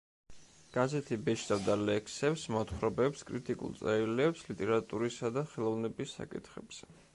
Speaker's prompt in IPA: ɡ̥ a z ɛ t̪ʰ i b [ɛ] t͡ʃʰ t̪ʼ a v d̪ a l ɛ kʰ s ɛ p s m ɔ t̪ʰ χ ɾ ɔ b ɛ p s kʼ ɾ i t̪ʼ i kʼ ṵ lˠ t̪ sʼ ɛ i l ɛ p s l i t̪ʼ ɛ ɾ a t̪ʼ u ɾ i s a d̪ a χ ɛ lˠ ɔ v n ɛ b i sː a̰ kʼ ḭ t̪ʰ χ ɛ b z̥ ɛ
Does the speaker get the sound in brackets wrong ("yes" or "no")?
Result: no